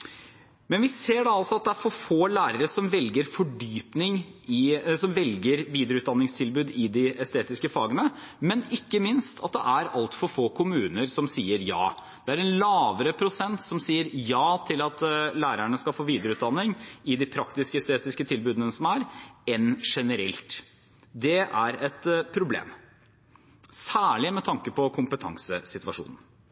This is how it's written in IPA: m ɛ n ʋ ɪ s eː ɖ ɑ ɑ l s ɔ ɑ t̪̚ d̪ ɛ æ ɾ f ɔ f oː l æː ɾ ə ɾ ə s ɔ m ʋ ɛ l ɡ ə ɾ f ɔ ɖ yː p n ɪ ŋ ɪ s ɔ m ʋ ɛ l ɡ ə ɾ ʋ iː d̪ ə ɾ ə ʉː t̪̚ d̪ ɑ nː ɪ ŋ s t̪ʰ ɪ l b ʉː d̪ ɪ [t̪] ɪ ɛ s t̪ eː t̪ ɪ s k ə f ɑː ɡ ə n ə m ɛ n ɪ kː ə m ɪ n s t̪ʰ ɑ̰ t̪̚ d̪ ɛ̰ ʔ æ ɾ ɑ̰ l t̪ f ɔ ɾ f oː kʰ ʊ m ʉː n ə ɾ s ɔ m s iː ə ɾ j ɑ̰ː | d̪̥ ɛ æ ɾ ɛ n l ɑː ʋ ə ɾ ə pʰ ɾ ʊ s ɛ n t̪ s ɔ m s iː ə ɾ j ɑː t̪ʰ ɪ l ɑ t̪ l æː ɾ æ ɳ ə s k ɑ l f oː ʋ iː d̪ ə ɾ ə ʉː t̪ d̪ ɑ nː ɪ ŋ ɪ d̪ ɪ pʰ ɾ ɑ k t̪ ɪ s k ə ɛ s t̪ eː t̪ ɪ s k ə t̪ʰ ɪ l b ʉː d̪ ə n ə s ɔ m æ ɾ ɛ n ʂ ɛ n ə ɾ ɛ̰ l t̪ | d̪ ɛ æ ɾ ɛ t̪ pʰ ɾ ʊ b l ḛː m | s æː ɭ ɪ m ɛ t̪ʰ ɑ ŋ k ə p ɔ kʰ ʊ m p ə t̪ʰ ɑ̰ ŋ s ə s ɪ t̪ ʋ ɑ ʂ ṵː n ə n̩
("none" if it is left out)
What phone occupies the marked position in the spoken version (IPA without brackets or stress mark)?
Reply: d̪